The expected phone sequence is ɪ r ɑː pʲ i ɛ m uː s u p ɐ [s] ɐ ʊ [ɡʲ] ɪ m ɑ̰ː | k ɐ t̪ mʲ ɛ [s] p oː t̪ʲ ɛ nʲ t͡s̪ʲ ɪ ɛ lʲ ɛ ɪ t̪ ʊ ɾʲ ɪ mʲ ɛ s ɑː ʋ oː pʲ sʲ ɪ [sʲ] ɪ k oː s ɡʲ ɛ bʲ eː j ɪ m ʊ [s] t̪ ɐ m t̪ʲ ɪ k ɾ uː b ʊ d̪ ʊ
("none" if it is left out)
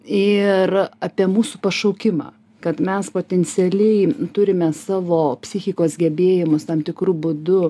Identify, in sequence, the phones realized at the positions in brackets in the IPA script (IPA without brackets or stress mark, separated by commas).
ʃ, kʲ, s, xʲ, s